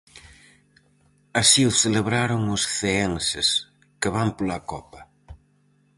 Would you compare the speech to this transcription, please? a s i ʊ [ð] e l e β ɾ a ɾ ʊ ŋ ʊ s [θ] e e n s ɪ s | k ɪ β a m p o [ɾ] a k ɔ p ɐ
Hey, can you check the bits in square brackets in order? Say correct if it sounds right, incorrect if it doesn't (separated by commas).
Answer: incorrect, correct, incorrect